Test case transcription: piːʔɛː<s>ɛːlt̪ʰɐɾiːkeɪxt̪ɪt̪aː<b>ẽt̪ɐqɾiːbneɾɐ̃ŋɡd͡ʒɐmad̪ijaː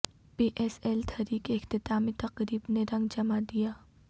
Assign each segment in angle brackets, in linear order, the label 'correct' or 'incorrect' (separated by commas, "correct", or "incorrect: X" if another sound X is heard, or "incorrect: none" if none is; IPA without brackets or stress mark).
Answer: correct, incorrect: m